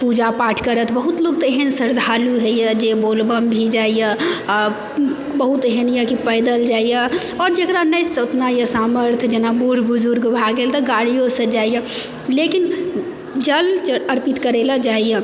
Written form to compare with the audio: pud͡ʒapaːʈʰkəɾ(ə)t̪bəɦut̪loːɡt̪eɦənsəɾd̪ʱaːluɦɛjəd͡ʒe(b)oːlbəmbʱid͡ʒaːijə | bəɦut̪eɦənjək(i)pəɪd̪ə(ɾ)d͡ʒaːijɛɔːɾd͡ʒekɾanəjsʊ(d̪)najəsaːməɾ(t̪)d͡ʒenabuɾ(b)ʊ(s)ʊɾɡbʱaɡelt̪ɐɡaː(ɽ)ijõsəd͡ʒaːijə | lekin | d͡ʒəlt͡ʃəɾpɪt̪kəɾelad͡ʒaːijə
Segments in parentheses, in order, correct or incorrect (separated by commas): correct, correct, correct, incorrect, incorrect, incorrect, correct, incorrect, correct